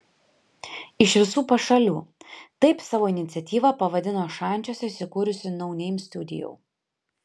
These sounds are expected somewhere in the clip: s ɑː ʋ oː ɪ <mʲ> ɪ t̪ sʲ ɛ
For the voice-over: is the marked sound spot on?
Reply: no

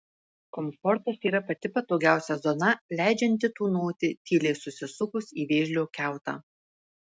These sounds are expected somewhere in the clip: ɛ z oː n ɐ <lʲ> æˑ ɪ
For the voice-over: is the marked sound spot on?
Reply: yes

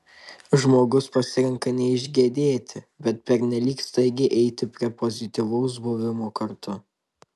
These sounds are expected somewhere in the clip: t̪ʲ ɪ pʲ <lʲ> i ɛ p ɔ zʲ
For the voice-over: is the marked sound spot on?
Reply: no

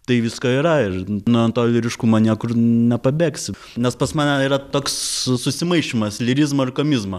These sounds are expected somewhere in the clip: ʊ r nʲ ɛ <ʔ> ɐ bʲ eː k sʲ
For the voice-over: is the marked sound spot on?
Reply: no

